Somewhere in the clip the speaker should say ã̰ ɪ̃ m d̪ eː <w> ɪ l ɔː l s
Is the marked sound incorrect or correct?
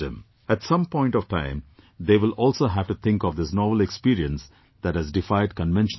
incorrect